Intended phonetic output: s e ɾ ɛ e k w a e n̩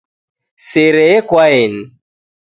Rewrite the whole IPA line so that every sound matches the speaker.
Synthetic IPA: s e ɾ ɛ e k w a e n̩